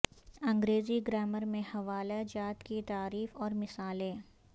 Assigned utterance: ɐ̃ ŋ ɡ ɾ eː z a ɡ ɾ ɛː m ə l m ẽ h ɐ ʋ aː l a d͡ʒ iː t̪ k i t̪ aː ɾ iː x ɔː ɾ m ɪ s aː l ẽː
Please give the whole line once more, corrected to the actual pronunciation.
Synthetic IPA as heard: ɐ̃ ŋ ɡ ɾ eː z i ɡ ɾ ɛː m ə ɾ m ẽ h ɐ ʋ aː l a d͡ʒ aː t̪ k i t̪ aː ɾ iː f ɔː ɾ m ɪ s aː l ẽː